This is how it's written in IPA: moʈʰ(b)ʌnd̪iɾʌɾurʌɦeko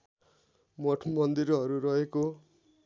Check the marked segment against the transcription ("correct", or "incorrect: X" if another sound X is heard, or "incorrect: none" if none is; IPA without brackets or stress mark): incorrect: m